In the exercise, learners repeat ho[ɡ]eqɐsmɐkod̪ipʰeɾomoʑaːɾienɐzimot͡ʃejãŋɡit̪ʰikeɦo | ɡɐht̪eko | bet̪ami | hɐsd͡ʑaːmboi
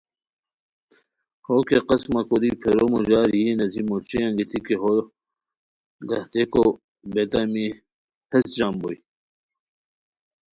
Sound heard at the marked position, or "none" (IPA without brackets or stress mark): k